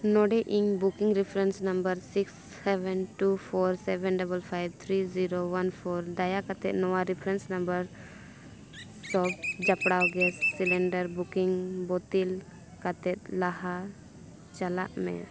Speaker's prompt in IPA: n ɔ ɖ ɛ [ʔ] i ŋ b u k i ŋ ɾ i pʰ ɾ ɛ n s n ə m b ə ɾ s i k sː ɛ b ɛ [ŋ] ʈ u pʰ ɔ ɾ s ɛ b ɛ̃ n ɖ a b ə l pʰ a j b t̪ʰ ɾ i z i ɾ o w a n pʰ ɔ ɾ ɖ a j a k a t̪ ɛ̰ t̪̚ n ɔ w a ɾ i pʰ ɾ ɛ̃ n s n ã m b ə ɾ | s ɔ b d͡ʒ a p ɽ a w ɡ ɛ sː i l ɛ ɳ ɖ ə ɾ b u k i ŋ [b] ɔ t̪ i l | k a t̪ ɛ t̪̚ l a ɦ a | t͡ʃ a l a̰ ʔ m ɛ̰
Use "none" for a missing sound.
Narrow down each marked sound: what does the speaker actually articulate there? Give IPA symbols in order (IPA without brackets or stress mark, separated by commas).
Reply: ʔ, n, b